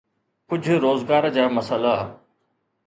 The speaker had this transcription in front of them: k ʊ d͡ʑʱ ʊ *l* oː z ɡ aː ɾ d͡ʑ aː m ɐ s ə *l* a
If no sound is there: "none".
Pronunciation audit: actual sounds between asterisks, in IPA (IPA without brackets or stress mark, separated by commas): ɾ, l